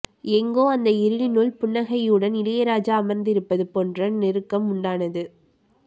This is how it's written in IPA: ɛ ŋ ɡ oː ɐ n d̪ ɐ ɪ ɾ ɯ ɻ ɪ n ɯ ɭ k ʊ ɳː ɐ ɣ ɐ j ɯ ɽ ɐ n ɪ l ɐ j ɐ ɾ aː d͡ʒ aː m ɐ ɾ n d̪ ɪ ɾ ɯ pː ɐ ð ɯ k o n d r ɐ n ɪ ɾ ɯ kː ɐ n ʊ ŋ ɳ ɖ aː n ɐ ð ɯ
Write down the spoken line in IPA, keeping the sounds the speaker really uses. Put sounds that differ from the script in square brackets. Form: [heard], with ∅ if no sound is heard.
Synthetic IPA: ɛ ŋ ɡ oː ɐ n d̪ ɐ ɪ ɾ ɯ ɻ ɪ n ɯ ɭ [p] ʊ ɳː ɐ ɣ ɐ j ɯ ɽ ɐ n ɪ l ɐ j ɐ ɾ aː d͡ʒ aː m ɐ ɾ n d̪ ɪ ɾ ɯ pː ɐ ð ɯ [p] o n d r ɐ n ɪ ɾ ɯ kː ɐ [m] ʊ [∅] ɳ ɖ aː n ɐ ð ɯ